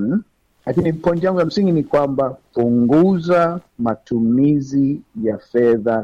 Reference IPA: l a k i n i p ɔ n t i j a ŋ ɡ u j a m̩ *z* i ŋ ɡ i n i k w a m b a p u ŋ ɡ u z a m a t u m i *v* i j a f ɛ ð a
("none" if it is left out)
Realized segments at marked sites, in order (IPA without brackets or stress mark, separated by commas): s, z